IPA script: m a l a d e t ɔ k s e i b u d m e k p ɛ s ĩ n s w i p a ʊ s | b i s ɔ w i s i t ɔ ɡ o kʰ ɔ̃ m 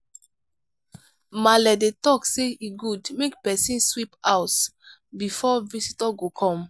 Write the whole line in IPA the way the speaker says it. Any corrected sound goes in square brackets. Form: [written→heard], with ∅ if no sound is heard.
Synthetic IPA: m a l [a→ɛ] d e t ɔ k s e i [b→ɡ] u d m e k p ɛ s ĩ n s w i p a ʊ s | b i [s→f] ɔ [w→v] i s i t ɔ ɡ o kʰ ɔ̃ m